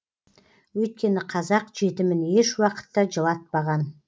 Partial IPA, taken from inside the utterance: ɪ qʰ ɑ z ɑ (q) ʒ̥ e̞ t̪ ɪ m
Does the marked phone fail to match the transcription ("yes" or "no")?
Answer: no